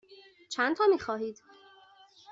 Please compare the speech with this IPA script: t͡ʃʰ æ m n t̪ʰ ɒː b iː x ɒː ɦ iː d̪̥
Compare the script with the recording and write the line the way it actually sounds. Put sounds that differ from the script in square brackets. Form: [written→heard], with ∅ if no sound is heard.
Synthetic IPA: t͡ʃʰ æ [m→∅] n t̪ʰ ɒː [b→m] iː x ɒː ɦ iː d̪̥